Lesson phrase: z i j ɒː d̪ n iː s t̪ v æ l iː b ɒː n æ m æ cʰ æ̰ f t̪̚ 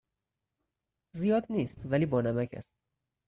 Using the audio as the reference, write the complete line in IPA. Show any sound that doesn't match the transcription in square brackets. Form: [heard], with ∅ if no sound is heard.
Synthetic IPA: z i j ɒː d̪ n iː s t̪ v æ l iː b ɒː n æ m æ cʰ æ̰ [s] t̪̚